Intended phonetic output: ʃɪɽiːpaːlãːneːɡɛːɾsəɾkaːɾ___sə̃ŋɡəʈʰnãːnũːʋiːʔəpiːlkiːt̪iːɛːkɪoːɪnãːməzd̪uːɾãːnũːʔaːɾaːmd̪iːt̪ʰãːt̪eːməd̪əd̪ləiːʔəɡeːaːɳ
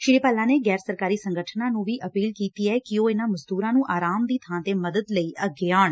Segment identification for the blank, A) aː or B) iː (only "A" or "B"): B